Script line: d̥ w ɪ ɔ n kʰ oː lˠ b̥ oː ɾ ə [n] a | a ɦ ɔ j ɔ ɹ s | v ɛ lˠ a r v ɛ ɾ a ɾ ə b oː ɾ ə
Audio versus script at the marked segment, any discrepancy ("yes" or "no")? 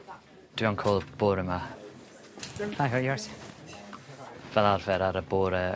yes